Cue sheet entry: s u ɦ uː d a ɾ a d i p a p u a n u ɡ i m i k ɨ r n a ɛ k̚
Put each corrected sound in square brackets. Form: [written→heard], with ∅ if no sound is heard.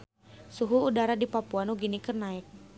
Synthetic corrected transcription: s u ɦ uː d a ɾ a d i p a p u a n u ɡ i [m→n] i k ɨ r n a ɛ k̚